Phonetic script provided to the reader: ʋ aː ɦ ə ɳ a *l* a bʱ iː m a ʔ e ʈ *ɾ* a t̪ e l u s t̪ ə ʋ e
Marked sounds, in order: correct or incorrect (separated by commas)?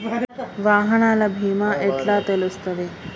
correct, incorrect